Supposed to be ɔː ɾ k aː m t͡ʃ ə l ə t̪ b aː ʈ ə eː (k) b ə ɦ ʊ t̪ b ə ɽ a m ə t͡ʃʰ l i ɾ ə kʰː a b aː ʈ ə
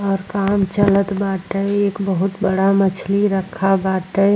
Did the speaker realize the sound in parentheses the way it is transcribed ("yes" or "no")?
yes